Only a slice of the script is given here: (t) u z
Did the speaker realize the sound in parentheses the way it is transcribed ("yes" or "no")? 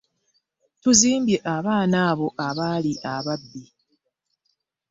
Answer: yes